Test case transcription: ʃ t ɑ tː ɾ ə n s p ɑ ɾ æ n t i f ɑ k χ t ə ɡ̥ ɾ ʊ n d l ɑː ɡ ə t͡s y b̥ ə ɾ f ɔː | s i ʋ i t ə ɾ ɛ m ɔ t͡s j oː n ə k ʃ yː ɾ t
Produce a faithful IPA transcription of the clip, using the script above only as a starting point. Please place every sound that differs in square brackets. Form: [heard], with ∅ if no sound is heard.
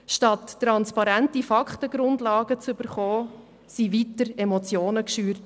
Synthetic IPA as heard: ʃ t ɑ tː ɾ [ɑ] n s p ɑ ɾ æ n t i f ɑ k χ t ə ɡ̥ ɾ ʊ n d l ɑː ɡ ə t͡s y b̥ ə ɾ [χ] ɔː | s i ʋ i t ə ɾ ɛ m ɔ t͡s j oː n ə k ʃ yː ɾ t